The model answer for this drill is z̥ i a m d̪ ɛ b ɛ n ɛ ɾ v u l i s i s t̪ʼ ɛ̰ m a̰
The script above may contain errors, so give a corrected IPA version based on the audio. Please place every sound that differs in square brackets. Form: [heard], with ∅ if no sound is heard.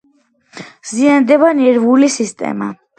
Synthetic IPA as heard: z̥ i a [n] d̪ ɛ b [a] n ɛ ɾ v u l i s i s t̪ʼ ɛ̰ m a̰